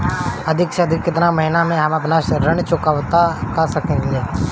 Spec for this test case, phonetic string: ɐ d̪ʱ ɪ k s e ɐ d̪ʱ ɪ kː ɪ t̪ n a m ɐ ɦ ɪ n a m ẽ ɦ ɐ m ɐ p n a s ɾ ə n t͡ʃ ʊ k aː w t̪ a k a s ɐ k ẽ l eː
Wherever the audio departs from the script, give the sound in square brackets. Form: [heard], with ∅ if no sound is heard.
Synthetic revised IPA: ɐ d̪ʱ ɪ k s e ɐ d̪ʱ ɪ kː ɪ t̪ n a m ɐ ɦ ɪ n a m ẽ ɦ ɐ m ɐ p n a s ɾ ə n t͡ʃ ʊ k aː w t̪ a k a s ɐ k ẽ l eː